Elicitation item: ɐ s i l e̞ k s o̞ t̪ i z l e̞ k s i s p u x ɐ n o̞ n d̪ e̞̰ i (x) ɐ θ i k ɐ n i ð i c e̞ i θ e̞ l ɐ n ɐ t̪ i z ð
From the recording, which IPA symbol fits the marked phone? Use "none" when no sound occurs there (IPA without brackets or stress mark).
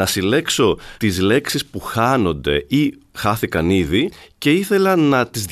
x